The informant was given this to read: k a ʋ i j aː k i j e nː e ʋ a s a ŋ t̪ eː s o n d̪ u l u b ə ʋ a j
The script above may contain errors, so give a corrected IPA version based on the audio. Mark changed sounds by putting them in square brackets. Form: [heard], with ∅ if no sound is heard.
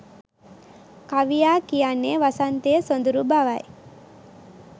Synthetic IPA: k a ʋ i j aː k i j [a] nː e ʋ a s a [n] t̪ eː s o n d̪ u [ɾ] u b [a] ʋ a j